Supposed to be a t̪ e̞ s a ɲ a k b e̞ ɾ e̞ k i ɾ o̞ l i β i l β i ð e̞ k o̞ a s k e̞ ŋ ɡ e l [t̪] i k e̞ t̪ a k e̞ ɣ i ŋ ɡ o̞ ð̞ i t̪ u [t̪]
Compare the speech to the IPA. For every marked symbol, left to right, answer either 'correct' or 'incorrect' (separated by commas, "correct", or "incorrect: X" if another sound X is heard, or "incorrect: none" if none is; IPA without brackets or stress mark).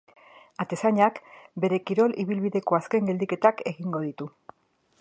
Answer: incorrect: d̪, incorrect: none